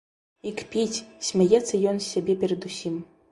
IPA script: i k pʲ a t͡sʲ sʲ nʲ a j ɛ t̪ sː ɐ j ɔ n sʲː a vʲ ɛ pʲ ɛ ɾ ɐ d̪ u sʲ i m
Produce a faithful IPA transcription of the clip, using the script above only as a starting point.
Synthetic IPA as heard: i k pʲ i t͡sʲ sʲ mʲ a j ɛ t̪ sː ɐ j ɔ n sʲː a bʲ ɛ pʲ ɛ ɾ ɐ d̪ u sʲ i m